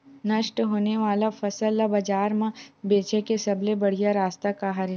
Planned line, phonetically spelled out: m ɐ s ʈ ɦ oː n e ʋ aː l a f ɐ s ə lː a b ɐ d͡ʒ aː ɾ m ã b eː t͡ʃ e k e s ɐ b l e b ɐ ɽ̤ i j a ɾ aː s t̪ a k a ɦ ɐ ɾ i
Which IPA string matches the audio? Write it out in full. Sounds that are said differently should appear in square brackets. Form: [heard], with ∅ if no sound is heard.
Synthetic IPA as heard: [n] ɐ [ʃ] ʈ ɦ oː n e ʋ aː l a f ɐ s ə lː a b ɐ d͡ʒ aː ɾ m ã b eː t͡ʃ e k e s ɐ b l e b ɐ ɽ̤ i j a ɾ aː s t̪ a k a ɦ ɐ ɾ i